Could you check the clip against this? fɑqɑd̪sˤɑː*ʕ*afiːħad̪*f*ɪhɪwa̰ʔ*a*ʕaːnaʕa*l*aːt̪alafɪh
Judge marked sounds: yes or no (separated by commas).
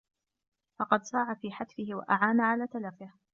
yes, yes, yes, yes